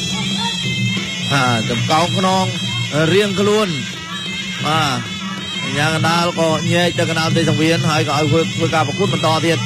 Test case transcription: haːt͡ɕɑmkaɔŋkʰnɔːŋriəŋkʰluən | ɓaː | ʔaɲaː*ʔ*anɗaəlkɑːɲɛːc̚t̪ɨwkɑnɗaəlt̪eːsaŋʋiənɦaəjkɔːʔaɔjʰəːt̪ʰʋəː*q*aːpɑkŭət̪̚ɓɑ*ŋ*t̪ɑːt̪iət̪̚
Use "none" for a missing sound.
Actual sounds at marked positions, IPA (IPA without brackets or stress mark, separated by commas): k, k, n